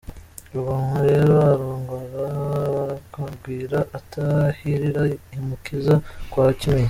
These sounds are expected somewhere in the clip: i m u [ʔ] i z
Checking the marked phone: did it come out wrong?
yes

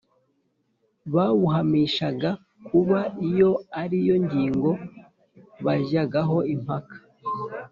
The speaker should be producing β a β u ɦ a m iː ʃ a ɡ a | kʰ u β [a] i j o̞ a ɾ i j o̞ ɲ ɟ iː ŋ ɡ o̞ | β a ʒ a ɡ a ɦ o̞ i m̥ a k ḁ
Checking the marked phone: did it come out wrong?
no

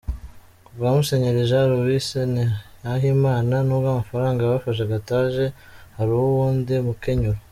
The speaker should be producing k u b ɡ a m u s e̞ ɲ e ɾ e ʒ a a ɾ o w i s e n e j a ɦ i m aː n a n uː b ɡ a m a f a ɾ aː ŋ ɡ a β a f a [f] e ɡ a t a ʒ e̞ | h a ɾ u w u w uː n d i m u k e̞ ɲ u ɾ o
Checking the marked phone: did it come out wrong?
yes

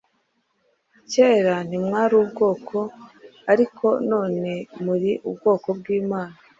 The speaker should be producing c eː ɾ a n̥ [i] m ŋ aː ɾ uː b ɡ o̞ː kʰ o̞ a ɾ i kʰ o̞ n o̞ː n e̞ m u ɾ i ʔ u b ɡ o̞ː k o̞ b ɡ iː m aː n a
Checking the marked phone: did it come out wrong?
no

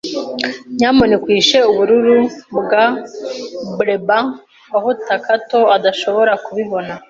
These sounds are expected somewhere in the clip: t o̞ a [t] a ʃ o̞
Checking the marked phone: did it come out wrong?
yes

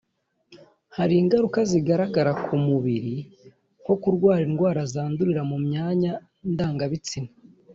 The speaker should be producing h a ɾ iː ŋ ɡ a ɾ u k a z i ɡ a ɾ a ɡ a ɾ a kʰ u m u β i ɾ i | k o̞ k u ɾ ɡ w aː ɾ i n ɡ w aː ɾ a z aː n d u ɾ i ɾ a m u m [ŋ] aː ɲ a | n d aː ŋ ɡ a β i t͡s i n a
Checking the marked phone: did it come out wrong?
yes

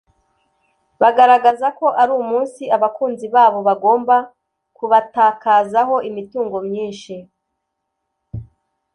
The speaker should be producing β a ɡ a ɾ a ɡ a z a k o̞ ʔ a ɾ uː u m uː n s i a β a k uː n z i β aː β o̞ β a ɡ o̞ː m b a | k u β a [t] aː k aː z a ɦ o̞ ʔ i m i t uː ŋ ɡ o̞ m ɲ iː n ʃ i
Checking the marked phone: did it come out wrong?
no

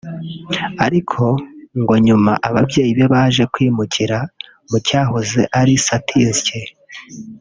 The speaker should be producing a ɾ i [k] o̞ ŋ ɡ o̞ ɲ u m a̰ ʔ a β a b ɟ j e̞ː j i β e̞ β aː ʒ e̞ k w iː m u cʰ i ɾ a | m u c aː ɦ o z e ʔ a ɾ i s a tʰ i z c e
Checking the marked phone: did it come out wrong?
yes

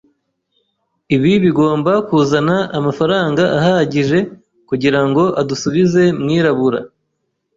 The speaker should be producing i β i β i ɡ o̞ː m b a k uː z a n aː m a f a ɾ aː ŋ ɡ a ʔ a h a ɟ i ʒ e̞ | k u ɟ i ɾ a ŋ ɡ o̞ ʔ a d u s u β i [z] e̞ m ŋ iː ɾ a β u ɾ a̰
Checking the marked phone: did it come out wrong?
no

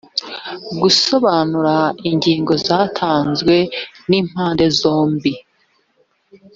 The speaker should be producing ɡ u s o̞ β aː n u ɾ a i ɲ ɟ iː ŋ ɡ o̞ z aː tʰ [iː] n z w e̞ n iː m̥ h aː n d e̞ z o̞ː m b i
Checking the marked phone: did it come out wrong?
yes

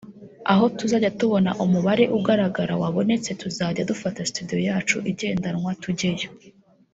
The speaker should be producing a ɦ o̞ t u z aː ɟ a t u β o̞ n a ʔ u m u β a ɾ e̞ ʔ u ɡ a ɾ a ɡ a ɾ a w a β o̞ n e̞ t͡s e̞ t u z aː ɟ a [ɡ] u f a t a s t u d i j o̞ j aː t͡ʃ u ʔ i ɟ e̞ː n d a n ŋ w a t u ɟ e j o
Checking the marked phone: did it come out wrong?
yes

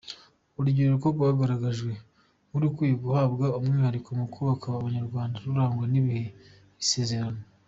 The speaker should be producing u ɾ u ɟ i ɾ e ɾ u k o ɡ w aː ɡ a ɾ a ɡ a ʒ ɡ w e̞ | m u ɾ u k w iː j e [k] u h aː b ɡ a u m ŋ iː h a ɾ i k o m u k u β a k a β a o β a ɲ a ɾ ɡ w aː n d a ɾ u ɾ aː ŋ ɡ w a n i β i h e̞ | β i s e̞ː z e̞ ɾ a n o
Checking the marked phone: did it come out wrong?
yes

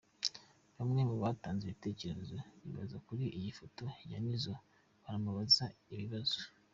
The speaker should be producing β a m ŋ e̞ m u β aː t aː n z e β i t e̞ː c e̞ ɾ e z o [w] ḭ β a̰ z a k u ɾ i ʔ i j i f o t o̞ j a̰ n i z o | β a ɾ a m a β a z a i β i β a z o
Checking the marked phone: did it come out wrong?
yes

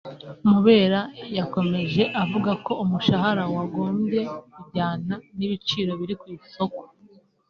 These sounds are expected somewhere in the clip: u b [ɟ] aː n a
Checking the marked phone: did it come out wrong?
no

